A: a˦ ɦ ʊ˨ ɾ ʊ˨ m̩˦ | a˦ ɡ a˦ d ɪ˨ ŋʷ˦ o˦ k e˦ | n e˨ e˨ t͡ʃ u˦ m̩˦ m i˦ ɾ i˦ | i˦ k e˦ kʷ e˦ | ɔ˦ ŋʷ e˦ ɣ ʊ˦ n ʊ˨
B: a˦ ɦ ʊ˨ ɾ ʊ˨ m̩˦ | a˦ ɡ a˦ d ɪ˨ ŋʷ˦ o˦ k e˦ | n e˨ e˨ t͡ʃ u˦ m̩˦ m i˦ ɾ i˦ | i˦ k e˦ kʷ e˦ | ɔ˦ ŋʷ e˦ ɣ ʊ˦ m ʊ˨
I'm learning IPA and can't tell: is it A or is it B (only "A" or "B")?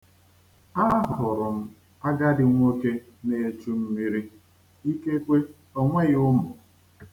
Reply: B